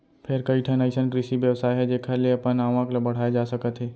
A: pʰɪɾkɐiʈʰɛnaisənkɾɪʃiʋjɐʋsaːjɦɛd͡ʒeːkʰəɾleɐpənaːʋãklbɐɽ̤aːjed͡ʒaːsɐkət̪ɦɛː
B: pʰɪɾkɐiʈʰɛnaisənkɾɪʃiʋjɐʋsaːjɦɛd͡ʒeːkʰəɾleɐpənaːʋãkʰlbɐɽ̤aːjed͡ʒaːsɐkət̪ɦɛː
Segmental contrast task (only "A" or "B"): A